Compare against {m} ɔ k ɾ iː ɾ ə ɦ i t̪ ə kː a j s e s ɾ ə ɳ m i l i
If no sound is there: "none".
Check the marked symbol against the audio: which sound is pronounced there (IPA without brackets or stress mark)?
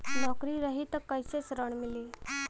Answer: n